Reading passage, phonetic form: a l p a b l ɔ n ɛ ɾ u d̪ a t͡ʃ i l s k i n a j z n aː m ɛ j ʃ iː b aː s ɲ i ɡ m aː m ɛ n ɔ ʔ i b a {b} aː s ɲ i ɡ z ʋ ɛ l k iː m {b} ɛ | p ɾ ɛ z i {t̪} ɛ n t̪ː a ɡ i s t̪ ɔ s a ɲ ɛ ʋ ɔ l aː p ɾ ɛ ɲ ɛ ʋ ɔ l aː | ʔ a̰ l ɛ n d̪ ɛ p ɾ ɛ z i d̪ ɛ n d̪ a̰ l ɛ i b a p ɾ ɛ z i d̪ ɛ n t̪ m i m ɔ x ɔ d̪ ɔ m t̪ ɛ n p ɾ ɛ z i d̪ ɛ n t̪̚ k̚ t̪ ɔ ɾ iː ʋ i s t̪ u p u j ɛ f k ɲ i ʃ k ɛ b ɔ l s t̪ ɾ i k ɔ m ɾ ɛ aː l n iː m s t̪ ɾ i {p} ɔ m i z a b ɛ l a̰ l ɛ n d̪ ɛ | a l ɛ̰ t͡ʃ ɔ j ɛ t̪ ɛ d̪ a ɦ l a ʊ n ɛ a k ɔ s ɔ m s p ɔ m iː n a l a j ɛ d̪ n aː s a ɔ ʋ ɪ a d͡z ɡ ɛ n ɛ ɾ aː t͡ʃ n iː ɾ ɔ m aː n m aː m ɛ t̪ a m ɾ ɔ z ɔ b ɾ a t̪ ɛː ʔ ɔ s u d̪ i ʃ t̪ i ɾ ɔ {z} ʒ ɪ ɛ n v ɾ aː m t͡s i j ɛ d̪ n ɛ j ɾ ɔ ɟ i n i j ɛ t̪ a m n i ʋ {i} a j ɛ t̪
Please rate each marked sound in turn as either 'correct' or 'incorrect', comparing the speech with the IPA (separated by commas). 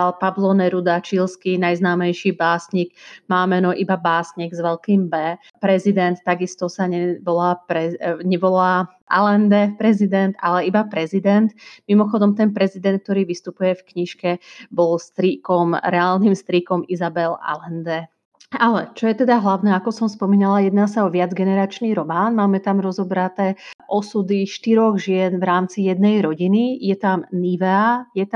correct, correct, incorrect, incorrect, incorrect, incorrect